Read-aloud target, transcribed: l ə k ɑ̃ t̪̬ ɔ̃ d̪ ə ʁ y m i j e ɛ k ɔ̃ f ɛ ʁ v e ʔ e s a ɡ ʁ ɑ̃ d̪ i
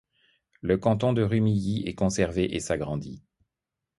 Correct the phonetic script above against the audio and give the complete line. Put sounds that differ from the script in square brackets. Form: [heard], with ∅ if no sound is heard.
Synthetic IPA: l ə k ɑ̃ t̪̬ ɔ̃ d̪ ə ʁ y m i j [i] ɛ k ɔ̃ [s] ɛ ʁ v e ʔ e s a ɡ ʁ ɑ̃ d̪ i